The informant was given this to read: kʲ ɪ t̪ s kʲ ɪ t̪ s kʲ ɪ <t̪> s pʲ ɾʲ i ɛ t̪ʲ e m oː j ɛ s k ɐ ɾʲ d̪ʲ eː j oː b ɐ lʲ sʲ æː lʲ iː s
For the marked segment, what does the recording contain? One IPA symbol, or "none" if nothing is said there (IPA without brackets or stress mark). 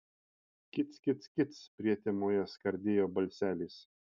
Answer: t̪